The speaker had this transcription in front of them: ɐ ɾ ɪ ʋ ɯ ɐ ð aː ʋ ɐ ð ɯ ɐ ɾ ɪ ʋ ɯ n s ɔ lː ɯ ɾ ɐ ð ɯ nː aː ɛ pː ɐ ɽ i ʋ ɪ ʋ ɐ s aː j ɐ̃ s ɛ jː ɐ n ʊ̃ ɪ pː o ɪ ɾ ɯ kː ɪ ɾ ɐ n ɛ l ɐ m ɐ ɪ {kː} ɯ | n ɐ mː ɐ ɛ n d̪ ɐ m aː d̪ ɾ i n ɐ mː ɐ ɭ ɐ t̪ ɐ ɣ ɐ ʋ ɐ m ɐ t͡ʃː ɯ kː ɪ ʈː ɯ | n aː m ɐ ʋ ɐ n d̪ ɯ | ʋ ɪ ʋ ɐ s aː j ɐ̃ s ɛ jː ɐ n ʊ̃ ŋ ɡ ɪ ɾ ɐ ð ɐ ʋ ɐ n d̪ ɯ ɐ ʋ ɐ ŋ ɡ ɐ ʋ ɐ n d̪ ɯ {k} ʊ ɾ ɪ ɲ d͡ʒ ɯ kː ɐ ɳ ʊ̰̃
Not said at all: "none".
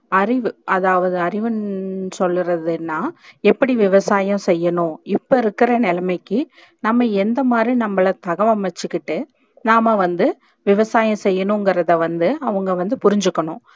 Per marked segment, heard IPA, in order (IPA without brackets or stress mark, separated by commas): kː, p